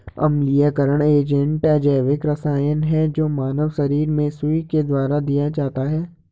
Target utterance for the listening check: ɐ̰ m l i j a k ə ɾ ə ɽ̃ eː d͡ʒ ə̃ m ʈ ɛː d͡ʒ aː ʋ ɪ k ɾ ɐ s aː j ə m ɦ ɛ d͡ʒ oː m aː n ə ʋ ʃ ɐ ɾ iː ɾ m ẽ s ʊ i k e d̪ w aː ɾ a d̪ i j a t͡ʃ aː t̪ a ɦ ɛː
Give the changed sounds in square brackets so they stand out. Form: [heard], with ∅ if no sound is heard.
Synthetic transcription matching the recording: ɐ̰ m l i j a k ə ɾ ə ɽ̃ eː d͡ʒ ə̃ [ɳ] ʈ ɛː d͡ʒ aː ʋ ɪ k ɾ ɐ s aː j ə [n] ɦ ɛ d͡ʒ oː m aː n ə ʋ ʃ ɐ ɾ iː ɾ m ẽ s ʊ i k e d̪ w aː ɾ a d̪ i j a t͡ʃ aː t̪ a ɦ ɛː